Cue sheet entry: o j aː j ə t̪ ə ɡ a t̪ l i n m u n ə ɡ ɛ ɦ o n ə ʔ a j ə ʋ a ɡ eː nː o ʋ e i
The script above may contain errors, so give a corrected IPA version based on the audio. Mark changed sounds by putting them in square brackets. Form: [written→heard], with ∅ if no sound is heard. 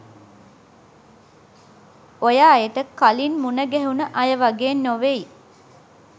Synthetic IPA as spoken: o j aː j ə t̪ ə [ɡ→k] a [t̪→∅] l i n m u n ə ɡ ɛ ɦ [o→u] n ə ʔ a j ə ʋ a ɡ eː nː o ʋ e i